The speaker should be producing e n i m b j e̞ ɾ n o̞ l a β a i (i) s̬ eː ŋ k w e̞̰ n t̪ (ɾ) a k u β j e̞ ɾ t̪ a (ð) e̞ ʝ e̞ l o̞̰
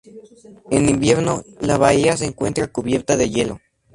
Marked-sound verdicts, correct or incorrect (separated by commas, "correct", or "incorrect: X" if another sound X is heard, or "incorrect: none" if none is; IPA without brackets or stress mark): incorrect: a, correct, correct